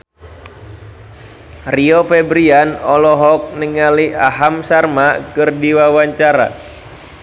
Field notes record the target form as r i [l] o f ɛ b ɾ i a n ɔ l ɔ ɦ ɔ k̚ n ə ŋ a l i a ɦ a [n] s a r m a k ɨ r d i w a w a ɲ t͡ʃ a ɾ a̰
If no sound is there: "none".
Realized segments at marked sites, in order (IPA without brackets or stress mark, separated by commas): none, m